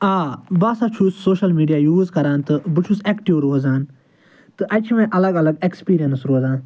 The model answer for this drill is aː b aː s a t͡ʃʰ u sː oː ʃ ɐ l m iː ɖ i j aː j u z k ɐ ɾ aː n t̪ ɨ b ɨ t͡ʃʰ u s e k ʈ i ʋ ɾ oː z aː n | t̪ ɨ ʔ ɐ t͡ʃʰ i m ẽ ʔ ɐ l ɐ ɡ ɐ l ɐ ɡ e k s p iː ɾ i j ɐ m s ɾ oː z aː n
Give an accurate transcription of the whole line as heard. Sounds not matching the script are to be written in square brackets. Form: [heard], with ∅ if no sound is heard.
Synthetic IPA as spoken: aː b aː s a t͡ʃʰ u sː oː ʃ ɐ l m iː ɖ i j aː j [uː] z k ɐ ɾ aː n t̪ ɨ b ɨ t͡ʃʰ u s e k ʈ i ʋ ɾ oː z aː n | t̪ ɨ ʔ ɐ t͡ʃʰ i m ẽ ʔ ɐ l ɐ ɡ ɐ l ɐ ɡ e k s p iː ɾ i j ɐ [n] s ɾ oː z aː n